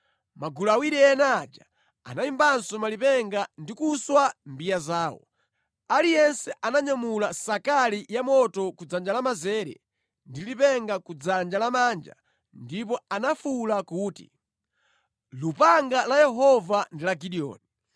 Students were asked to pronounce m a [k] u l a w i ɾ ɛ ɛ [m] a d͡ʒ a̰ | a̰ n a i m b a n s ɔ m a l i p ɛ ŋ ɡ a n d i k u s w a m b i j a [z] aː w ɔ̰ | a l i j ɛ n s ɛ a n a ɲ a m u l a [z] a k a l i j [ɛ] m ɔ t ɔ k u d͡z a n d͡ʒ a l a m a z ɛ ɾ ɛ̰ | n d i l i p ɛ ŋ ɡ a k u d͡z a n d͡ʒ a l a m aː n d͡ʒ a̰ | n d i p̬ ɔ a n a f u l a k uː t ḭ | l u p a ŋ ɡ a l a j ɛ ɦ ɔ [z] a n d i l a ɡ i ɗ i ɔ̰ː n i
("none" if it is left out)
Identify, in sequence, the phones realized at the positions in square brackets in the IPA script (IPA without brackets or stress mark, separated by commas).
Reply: ɡ, n, z, s, a, v